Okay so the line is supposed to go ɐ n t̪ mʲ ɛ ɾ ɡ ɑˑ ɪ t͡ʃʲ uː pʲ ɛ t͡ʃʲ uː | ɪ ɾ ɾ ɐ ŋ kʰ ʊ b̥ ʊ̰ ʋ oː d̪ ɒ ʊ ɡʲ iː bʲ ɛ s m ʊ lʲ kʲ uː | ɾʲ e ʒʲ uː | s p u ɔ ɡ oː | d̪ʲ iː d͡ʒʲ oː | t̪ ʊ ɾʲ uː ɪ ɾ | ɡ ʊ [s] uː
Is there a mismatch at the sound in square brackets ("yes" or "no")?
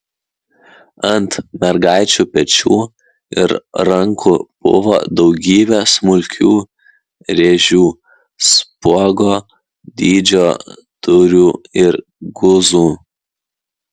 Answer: yes